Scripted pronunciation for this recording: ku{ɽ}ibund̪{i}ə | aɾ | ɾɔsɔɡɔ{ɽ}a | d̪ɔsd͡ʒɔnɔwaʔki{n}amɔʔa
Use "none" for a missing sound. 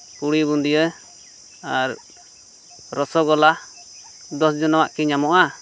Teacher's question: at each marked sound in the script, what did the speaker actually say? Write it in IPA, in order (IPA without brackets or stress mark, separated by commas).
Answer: ɽ, i, l, ɲ